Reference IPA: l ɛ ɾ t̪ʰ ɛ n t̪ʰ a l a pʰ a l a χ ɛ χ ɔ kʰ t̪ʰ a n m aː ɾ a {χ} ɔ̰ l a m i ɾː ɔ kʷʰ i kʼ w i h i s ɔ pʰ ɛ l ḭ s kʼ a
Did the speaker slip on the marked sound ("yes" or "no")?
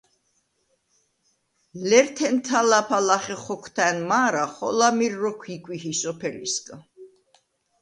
no